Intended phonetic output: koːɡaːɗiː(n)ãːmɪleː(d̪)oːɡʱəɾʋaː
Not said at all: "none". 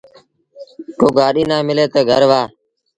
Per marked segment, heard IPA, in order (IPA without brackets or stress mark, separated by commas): n, t̪